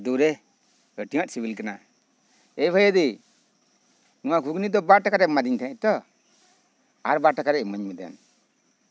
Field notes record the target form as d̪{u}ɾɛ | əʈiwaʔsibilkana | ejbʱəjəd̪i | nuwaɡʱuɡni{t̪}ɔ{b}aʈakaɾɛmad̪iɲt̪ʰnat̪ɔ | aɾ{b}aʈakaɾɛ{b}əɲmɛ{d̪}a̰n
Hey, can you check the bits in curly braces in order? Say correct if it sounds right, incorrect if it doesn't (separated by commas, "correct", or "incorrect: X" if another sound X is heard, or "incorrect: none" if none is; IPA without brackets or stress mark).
correct, incorrect: d̪, correct, correct, incorrect: m, correct